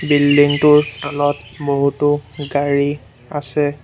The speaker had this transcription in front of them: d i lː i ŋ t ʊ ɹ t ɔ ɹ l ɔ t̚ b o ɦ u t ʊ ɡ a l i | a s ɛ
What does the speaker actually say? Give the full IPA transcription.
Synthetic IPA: b i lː i ŋ t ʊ ɹ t ɔ l ɔ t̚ b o ɦ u t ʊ ɡ a ɹ i | a s ɛ